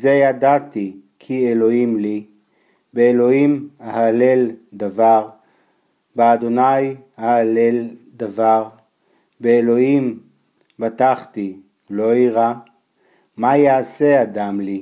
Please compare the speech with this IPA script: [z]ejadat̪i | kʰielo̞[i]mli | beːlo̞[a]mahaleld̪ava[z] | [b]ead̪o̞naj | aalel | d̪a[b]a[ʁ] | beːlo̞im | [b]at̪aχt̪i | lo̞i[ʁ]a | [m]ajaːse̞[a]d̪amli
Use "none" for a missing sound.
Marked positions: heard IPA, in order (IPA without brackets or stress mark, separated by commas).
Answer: z, i, i, ʁ, b, v, ʁ, b, ʁ, m, a